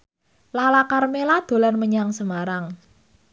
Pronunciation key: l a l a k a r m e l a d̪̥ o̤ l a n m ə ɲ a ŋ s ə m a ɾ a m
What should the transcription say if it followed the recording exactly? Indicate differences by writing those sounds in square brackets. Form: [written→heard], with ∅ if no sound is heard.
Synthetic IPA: l a l a k a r m e l a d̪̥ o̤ l a n m ə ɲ a ŋ s ə m a ɾ a [m→ŋ]